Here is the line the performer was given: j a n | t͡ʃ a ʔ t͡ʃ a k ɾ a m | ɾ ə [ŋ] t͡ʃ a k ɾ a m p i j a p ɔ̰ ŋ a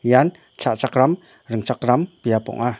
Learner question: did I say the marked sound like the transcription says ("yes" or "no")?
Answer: yes